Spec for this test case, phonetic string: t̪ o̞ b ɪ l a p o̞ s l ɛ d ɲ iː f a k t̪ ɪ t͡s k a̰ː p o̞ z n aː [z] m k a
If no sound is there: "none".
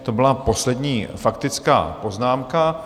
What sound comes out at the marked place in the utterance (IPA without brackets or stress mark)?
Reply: none